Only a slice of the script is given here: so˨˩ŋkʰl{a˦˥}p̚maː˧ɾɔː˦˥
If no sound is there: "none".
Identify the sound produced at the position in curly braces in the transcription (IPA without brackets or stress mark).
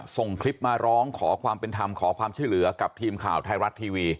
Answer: i˦˥